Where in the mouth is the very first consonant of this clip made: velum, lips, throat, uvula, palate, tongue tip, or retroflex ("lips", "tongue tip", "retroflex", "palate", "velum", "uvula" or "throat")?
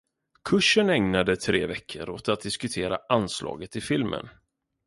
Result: velum